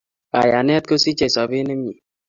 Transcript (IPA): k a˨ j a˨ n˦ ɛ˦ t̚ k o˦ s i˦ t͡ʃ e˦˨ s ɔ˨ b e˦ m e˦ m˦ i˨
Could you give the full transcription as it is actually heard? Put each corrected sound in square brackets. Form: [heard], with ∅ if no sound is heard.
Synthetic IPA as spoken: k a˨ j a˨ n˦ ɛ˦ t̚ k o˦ s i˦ t͡ʃ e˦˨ s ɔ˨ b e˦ [n] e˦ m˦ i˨